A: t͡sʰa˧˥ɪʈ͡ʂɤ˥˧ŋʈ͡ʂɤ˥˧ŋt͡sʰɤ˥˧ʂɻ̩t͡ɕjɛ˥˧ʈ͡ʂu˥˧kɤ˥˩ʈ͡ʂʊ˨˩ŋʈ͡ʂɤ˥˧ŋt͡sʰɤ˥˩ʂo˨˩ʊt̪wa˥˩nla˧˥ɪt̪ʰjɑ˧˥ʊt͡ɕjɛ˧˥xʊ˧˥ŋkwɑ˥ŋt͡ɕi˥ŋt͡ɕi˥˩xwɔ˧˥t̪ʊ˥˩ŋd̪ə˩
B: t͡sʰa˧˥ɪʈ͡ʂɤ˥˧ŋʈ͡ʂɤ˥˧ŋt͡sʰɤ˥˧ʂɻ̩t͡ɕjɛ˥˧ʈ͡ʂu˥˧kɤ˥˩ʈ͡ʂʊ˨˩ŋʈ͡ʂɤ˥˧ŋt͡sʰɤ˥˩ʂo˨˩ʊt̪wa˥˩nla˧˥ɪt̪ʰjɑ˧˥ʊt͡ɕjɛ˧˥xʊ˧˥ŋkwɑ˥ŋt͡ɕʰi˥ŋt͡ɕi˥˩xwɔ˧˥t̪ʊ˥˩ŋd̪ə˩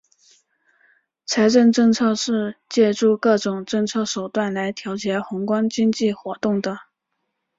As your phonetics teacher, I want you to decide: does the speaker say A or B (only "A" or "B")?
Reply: A